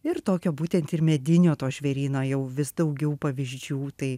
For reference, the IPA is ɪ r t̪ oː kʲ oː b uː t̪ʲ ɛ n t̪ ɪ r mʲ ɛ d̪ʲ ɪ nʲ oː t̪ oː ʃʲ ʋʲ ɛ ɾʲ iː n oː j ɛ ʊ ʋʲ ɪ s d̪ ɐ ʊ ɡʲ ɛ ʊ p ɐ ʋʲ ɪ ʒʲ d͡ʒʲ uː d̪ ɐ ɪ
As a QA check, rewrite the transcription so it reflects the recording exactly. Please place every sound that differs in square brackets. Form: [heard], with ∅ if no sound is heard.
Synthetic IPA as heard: ɪ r t̪ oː kʲ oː b uː t̪ʲ ɛ n t̪ ɪ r mʲ ɛ d̪ʲ ɪ nʲ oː t̪ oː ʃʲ ʋʲ ɛ ɾʲ iː n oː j ɛ ʊ ʋʲ ɪ s d̪ ɐ ʊ ɡʲ ɛ ʊ p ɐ ʋʲ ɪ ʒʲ d͡ʒʲ uː [t̪] ɐ ɪ